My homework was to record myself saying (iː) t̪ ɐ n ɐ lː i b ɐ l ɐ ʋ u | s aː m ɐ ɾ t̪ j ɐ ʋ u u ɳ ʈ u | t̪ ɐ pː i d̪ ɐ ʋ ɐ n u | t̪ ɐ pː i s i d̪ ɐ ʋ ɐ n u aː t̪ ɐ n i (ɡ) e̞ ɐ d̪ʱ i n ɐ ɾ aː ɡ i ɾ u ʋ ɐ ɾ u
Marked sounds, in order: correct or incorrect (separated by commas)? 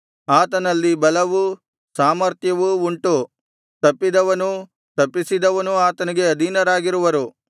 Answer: incorrect, correct